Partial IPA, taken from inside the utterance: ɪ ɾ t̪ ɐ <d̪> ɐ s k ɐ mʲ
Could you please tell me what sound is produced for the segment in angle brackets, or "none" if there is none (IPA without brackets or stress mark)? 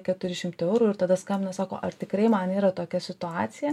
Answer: d̪